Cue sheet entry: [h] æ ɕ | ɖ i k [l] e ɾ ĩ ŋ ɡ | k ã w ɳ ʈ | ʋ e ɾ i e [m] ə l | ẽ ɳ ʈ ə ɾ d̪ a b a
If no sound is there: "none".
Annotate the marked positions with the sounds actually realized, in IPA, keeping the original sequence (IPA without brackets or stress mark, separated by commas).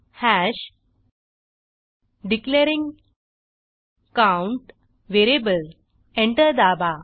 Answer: h, l, b